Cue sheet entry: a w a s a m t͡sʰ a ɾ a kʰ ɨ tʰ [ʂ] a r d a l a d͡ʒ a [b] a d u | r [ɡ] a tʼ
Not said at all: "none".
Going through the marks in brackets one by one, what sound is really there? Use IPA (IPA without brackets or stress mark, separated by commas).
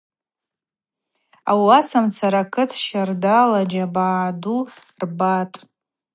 ʃ, b, b